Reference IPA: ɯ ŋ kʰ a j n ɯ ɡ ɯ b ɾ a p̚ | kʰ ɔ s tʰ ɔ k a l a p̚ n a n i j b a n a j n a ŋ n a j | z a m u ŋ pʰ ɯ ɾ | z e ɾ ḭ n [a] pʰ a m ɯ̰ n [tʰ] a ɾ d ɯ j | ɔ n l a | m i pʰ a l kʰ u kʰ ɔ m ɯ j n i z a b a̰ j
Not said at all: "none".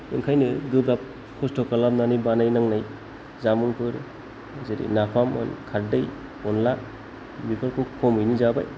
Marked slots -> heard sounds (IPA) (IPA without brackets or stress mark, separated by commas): a, kʰ